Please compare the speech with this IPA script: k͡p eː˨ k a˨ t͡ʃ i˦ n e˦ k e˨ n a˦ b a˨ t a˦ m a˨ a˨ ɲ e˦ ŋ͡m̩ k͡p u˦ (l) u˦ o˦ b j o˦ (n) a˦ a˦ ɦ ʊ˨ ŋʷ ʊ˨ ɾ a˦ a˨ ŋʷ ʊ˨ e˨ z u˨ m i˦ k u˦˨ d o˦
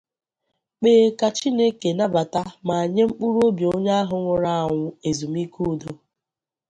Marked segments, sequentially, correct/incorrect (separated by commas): incorrect, incorrect